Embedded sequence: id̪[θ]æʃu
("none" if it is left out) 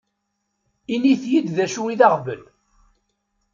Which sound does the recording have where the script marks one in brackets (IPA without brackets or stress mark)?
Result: ð